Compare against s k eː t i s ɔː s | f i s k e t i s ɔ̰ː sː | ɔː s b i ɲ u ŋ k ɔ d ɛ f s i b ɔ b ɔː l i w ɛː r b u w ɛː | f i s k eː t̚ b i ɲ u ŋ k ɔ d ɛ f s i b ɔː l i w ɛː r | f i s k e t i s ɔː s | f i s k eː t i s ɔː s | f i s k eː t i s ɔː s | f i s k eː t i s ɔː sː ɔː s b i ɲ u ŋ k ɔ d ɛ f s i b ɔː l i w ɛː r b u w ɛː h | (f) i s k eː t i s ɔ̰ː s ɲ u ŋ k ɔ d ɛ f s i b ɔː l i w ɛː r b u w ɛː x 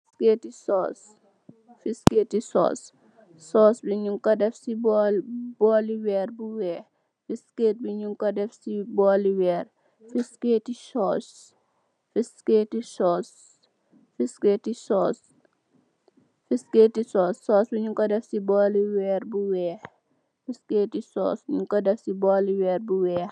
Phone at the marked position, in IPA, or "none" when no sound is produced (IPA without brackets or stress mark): f